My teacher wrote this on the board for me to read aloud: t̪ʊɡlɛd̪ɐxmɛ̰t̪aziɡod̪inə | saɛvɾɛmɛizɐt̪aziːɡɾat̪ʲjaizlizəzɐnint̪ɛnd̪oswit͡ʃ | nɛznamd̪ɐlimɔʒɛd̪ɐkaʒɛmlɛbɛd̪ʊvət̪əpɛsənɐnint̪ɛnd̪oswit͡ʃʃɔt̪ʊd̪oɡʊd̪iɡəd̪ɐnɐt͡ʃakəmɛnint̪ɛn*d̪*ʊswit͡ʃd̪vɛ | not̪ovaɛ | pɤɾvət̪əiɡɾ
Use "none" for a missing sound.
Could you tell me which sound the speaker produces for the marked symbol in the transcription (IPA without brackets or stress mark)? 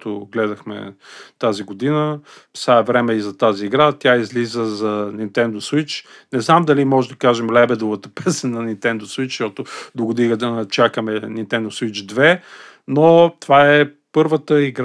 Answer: d̪